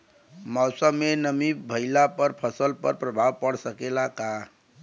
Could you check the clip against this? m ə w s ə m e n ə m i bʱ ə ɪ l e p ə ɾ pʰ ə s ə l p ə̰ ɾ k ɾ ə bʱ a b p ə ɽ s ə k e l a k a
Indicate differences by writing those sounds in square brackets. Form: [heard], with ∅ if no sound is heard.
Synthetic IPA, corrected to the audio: m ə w s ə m e n ə m i bʱ ə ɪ l [a] p ə ɾ pʰ ə s ə l p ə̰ ɾ [p] ɾ ə bʱ a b p ə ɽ s ə k e l a k a